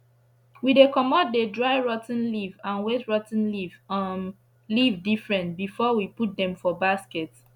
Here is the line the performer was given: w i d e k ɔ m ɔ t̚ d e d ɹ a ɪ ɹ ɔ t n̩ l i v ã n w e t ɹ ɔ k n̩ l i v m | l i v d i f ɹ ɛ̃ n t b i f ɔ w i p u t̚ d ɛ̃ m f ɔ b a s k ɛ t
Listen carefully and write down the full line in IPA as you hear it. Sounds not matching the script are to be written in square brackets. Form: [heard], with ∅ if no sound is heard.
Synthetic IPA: w i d e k ɔ m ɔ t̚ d e d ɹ a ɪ ɹ ɔ t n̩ l i v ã n w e t ɹ ɔ [t] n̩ l i v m | l i v d i f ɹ ɛ̃ n t b i f ɔ w i p u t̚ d ɛ̃ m f ɔ b a s k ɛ t